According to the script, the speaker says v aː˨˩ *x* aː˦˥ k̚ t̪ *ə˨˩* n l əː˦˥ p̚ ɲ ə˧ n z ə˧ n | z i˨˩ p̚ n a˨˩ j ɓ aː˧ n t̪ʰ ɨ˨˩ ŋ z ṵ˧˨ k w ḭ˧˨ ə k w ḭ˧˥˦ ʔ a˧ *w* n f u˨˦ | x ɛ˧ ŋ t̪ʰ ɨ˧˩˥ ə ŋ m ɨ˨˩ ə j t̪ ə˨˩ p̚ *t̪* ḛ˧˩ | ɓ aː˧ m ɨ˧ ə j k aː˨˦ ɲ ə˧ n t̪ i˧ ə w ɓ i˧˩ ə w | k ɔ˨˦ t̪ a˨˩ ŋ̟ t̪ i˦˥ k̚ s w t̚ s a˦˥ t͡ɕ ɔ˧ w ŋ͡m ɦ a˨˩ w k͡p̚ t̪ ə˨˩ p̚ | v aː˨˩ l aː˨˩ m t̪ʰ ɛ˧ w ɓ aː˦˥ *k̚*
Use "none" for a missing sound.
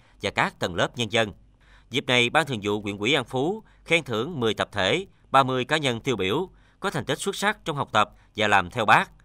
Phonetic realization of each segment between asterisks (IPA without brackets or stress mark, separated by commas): k, ə˨˩, none, t̪ʰ, k̚